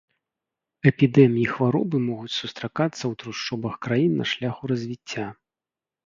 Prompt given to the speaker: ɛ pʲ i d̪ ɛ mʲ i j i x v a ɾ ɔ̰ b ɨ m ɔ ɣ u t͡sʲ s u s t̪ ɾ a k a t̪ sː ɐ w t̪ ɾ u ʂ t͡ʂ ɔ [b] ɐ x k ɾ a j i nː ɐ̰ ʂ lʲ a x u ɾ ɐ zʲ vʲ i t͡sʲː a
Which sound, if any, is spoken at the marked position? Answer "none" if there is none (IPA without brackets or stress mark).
b